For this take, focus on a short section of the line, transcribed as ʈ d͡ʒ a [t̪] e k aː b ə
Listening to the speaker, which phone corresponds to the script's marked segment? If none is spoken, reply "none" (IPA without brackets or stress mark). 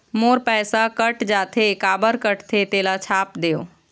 t̪ʰ